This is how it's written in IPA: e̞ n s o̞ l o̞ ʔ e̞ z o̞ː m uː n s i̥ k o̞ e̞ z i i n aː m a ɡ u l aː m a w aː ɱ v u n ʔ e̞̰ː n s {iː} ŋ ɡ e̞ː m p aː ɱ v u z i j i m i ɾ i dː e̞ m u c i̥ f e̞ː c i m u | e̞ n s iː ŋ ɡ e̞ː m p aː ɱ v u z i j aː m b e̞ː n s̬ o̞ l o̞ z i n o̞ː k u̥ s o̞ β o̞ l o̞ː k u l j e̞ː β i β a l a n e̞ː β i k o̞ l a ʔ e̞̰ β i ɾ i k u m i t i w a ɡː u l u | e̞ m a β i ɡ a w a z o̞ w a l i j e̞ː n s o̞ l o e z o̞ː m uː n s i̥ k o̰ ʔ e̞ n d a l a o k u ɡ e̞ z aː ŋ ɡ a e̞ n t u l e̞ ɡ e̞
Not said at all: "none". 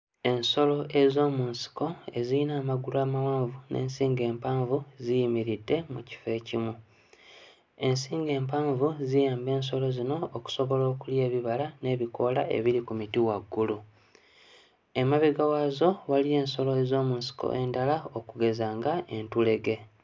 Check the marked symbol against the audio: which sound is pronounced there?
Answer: iː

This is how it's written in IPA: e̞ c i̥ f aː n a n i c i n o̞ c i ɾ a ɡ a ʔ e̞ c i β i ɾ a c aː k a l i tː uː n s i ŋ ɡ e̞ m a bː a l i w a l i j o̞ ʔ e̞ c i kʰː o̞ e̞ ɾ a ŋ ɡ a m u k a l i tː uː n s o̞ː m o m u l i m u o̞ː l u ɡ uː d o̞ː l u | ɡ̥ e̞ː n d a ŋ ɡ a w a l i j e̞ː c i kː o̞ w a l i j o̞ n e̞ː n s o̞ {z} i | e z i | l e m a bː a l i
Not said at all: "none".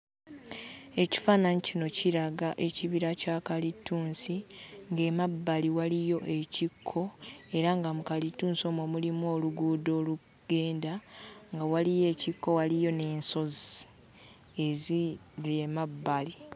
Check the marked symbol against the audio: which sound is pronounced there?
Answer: z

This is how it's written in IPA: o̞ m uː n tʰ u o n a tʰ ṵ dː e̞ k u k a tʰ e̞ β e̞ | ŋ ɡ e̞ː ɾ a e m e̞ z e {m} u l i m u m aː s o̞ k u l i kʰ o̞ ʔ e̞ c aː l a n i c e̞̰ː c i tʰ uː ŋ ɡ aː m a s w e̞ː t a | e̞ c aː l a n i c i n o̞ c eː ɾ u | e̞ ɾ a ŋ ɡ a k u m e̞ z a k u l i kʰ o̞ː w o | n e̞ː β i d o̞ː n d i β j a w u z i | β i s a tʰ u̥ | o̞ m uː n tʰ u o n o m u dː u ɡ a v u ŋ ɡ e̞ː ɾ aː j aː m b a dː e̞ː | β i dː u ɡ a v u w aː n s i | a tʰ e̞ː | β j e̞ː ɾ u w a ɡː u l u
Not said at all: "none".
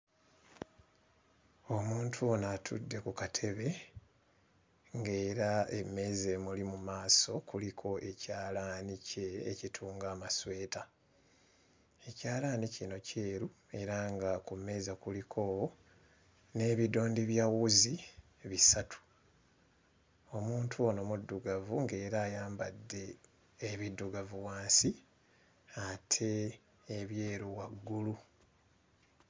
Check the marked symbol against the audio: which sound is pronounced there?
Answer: m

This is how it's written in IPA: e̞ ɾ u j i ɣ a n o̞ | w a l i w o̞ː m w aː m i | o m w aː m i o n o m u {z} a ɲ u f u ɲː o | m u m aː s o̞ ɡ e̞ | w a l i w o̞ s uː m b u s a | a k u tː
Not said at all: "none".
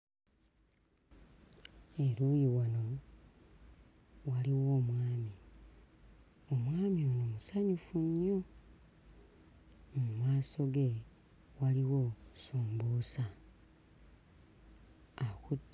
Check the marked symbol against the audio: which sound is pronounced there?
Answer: s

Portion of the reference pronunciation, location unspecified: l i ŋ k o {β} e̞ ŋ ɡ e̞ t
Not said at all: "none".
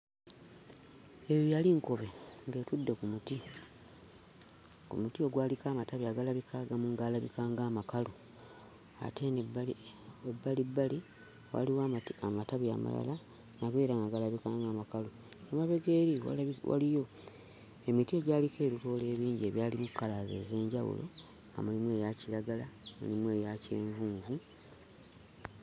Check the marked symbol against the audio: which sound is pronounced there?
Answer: β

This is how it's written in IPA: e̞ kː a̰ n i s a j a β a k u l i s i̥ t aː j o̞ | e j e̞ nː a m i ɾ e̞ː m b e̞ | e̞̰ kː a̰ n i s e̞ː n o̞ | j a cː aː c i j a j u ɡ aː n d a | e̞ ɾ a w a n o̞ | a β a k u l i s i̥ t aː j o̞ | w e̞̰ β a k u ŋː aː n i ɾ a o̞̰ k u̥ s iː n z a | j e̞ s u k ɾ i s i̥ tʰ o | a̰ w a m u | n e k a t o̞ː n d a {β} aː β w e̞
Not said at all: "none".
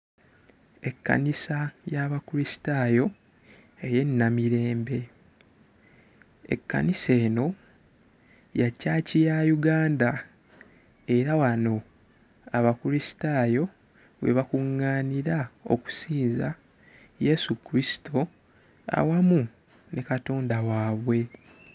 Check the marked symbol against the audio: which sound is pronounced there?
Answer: w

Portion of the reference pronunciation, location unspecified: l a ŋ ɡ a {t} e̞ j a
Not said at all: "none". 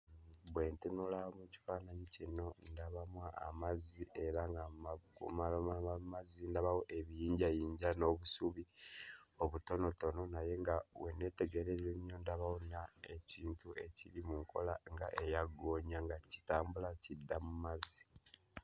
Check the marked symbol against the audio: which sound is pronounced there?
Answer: ʔ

